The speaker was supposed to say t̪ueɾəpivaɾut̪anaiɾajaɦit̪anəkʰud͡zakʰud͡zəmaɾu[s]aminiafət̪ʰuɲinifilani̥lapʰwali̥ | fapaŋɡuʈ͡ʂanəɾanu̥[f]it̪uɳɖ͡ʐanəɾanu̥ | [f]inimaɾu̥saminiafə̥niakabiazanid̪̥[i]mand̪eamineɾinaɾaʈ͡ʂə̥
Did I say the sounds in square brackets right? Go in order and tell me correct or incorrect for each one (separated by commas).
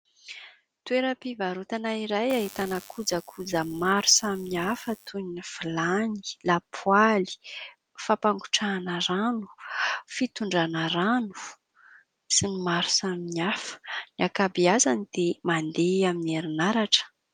correct, correct, incorrect, incorrect